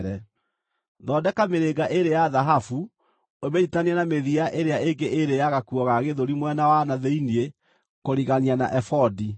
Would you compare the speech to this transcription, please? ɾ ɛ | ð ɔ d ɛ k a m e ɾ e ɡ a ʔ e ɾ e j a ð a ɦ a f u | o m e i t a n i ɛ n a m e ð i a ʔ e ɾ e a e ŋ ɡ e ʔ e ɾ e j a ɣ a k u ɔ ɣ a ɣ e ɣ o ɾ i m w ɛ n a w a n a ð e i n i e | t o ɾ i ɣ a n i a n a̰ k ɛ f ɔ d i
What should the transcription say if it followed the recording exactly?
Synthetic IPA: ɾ ɛ | ð ɔ d ɛ k a m e ɾ e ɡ a ʔ e ɾ e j a ð a ɦ a f u | o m e i t a n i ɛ n a m e ð i a ʔ e ɾ e a e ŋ ɡ e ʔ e ɾ e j a ɣ a k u ɔ ɣ a ɣ e ð o ɾ i m w ɛ n a w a n a ð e i n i e | k o ɾ i ɣ a n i a n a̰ ʔ ɛ f ɔ d i